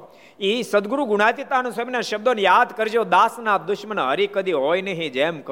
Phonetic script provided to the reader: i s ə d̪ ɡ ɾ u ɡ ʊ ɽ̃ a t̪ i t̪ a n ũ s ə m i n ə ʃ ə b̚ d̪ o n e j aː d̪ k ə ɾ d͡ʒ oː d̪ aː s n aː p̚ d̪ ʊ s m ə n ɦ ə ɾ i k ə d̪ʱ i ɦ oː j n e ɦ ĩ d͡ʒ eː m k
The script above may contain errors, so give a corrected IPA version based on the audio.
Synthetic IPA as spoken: i s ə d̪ ɡ ɾ u ɡ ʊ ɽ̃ a t̪ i t̪ a n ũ s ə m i n a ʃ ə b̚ d̪ o n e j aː d̪ k ə ɾ d͡ʒ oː d̪ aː s n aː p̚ d̪ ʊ ʃ m ə n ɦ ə ɾ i k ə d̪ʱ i ɦ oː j n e ɦ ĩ d͡ʒ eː m k